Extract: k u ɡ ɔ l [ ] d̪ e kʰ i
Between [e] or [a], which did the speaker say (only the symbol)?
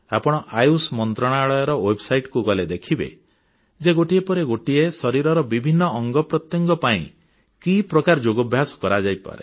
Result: e